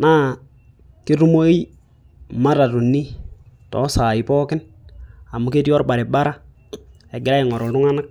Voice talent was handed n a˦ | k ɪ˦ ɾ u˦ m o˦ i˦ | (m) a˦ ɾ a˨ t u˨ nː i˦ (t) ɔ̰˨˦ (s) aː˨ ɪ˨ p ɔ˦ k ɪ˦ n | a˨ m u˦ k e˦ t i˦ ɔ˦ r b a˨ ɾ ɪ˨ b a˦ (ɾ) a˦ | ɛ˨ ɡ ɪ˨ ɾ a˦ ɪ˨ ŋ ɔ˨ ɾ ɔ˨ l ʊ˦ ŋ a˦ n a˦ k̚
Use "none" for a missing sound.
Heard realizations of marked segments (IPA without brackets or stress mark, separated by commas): m, t, s, ɾ